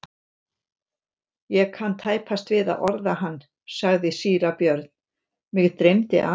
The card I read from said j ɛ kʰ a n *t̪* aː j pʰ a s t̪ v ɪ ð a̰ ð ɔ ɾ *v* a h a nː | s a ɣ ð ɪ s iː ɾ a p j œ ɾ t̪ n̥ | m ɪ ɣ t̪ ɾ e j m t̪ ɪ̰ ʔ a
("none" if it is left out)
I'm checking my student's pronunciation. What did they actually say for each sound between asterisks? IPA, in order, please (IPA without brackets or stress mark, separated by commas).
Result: t̪ʰ, ð